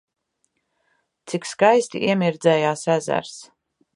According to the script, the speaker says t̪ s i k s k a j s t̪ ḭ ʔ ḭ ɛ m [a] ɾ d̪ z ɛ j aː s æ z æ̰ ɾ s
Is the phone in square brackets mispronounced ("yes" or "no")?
yes